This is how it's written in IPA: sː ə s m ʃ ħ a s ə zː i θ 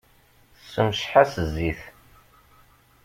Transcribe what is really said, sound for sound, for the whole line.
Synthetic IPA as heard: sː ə m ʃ ħ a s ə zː i θ